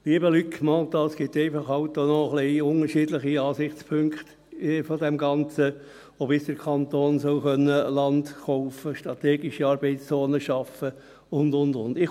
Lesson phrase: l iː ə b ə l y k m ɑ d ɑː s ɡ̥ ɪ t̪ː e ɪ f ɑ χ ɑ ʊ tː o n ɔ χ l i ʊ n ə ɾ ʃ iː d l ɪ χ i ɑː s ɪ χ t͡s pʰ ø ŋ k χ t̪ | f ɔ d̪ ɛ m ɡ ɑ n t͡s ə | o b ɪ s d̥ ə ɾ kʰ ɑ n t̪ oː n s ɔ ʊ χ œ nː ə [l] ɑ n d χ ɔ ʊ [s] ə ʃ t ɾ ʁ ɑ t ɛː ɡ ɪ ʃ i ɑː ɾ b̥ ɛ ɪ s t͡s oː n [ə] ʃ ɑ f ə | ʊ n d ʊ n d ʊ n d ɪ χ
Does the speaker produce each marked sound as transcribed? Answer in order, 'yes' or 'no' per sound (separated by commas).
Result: yes, no, yes